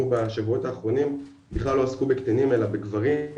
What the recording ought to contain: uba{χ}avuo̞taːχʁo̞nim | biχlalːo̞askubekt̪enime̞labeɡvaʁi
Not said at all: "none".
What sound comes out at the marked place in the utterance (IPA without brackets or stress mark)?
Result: ʃ